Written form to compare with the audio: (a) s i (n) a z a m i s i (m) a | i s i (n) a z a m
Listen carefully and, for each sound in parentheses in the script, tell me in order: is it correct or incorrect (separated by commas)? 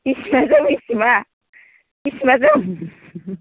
incorrect, incorrect, correct, incorrect